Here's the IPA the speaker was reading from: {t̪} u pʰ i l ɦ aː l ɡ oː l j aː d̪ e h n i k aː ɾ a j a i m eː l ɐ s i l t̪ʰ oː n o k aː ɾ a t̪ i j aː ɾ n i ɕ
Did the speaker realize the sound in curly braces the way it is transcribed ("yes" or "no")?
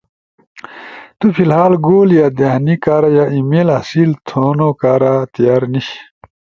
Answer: yes